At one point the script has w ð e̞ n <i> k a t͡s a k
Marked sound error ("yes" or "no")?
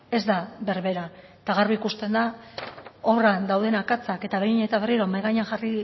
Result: yes